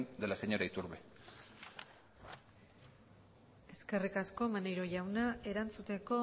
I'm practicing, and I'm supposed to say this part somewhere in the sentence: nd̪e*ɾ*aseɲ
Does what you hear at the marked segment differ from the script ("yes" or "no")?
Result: yes